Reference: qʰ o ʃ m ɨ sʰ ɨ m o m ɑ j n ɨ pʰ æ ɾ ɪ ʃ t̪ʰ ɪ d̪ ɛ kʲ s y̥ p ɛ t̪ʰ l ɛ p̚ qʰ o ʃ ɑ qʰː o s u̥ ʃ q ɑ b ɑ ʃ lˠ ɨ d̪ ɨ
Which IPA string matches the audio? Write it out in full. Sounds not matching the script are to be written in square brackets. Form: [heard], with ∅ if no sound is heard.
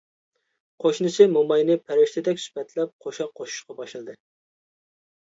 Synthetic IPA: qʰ o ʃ [n] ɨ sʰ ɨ m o m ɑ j n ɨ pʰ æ ɾ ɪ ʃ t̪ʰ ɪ d̪ ɛ kʲ s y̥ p ɛ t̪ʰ l ɛ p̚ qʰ o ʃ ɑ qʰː o [ʃ] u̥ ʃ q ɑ b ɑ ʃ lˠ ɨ d̪ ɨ